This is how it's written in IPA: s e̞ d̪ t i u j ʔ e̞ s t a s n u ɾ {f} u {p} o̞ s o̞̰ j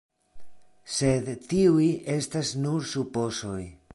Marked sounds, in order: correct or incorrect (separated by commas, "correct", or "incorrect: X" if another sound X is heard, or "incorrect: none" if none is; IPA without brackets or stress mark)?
incorrect: s, correct